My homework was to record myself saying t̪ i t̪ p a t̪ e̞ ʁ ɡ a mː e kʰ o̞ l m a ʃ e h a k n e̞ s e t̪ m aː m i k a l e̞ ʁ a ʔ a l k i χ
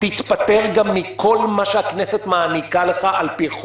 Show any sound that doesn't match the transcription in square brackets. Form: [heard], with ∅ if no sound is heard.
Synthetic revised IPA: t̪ i t̪ p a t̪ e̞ ʁ ɡ a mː [i] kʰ o̞ l m a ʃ e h a k n e̞ s e t̪ m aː [n] i k a l e̞ [χ] a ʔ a l [p] i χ

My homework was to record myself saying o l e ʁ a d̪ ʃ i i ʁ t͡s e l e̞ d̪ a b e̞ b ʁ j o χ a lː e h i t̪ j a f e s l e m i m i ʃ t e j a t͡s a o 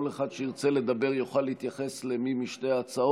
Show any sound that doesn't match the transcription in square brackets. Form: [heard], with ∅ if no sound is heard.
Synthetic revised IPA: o l e [χ] a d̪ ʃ [e] i ʁ t͡s e l e̞ d̪ a b e̞ [∅] ʁ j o χ a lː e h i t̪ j a [χ] e s l e m i m i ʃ t e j a t͡s a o

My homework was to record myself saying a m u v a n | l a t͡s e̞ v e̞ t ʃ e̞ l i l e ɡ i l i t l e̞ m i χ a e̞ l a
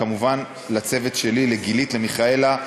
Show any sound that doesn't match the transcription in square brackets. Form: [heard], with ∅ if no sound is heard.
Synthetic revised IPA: a m u v a n | l a t͡s e̞ v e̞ t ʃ e̞ l i l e ɡ i l i t l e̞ m i χ a e̞ l a

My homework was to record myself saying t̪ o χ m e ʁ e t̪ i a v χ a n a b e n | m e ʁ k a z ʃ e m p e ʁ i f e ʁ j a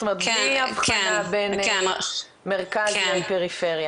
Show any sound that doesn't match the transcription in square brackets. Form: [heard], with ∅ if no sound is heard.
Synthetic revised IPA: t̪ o [∅] m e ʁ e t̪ i a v χ a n a b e n | m e ʁ k a z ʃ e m p e ʁ i f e ʁ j a

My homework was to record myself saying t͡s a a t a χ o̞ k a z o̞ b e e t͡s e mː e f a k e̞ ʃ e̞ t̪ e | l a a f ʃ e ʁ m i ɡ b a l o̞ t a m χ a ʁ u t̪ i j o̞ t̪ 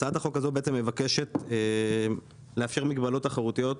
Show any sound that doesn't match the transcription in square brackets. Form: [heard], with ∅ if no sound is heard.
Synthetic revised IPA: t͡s a a t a χ o̞ k a z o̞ b e e t͡s e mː e [v] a k e̞ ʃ e̞ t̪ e | l [e] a f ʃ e ʁ m i ɡ b a l o̞ t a [∅] χ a ʁ u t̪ i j o̞ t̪

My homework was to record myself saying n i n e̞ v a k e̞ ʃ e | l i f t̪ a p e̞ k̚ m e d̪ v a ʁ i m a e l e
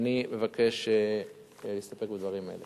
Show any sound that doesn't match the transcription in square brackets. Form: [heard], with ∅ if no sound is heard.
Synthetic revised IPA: n i [m] e̞ v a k e̞ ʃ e | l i [s] t̪ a p e̞ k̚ [b] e d̪ v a ʁ i m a e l e

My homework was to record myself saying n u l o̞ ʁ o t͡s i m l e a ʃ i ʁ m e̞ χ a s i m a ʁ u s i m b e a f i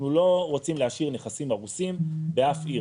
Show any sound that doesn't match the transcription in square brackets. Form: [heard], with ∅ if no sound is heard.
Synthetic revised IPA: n u l o̞ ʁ o t͡s i m l e a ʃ i ʁ [n] e̞ χ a s i m a ʁ u s i m b e a f i

